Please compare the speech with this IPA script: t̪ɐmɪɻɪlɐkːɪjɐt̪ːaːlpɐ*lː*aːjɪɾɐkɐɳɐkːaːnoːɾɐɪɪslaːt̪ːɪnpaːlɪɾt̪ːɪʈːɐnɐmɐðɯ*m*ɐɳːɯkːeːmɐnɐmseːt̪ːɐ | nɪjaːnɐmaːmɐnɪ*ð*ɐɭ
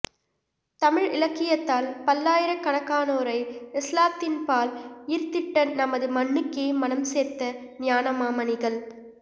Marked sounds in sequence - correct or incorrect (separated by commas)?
correct, correct, incorrect